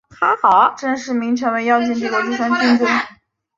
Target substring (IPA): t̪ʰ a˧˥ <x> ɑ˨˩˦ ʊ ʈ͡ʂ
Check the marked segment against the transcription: correct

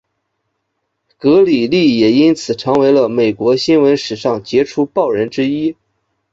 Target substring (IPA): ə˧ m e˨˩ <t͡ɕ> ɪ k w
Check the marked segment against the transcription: incorrect: none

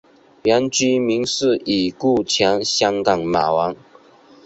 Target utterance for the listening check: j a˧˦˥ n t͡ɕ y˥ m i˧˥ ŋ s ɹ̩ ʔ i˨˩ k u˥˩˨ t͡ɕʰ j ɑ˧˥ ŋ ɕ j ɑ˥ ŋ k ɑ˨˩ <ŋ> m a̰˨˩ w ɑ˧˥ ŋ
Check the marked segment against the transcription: correct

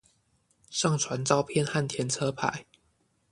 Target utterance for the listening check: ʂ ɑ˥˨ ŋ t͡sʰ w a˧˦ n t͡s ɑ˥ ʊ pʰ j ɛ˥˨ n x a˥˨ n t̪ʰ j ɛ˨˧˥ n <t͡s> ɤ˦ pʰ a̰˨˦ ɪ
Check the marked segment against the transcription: incorrect: t͡sʰ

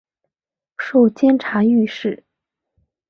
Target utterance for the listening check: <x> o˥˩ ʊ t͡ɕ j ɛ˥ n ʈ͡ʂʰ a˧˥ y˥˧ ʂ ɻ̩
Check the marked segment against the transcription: incorrect: ʂ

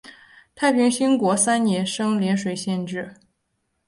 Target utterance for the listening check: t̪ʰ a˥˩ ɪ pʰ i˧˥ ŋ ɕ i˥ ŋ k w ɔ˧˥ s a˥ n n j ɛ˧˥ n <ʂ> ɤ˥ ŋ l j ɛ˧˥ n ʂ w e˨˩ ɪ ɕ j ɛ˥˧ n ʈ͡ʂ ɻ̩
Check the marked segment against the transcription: correct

